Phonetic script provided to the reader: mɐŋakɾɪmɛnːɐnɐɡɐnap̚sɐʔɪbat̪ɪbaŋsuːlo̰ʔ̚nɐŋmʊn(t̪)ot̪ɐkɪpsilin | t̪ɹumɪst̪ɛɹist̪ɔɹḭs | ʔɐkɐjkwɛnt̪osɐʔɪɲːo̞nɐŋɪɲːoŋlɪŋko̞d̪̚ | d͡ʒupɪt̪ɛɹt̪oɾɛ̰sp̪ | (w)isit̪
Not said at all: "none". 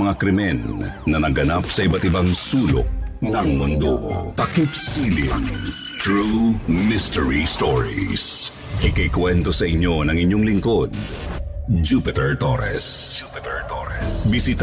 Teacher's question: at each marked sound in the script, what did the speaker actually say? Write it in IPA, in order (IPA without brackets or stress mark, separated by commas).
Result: d̪, b